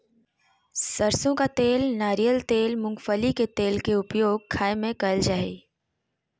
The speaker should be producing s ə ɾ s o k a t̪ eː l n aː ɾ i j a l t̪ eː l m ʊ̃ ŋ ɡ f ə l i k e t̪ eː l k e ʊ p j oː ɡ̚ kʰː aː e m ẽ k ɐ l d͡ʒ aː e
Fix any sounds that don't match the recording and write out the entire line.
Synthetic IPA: s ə ɾ s õ k a t̪ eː l n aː ɾ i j ə l t̪ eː l m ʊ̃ ŋ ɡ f ə l i k e t̪ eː l k e ʊ p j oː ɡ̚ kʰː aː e m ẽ k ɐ l d͡ʒ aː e

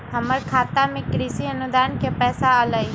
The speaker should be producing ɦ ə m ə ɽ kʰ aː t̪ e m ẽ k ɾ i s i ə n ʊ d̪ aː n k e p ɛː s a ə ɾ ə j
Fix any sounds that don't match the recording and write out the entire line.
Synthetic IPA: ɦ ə m ə ɾ kʰ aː t̪ a m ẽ k ɾ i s i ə n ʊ d̪ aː n k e p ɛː s a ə l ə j

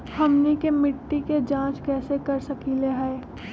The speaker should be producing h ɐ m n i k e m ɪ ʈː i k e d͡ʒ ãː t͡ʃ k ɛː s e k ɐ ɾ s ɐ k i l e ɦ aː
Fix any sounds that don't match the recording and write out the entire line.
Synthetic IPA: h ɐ m n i k e m ɪ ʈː i k e d͡ʒ ãː t͡ʃ k ɛː s e k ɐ ɾ s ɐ k i l e ɦ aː

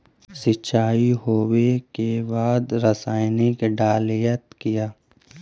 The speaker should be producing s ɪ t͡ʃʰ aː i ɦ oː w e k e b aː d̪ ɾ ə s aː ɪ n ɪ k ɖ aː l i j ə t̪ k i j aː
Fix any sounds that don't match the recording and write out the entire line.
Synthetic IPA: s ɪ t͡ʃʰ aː i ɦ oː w e k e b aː d̪ ɾ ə s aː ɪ n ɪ k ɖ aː l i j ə t̪ k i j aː

